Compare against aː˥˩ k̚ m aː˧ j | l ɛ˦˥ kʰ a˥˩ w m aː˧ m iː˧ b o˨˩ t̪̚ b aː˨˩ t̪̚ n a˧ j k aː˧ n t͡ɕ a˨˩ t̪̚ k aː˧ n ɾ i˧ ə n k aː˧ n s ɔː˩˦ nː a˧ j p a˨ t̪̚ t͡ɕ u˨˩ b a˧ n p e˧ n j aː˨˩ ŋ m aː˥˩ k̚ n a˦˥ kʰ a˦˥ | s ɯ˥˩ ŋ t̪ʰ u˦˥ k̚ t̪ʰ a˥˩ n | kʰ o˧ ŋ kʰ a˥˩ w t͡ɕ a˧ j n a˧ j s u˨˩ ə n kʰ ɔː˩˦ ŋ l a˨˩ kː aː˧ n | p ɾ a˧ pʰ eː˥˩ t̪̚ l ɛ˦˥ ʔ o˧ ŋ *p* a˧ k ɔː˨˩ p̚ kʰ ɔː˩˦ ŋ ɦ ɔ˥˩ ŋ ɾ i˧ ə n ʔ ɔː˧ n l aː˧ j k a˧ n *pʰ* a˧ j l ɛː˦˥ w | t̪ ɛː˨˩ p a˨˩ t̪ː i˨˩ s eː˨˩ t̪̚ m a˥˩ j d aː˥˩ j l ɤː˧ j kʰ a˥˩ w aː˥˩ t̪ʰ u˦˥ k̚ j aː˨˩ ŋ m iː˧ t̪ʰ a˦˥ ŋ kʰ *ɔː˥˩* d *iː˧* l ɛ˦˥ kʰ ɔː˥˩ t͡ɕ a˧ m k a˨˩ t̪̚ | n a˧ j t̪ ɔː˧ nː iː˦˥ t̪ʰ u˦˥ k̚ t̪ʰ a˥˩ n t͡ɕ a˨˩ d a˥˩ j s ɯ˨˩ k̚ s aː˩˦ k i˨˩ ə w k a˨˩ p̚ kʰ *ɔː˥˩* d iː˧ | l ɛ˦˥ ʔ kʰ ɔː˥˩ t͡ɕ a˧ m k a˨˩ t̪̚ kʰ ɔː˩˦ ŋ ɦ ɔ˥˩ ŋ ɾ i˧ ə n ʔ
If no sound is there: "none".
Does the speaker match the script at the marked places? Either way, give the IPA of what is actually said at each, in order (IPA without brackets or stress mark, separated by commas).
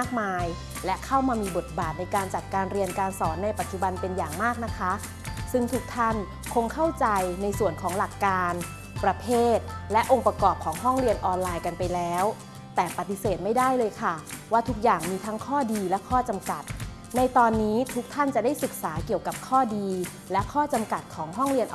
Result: p, p, ɔː˥˩, iː˧, ɔː˥˩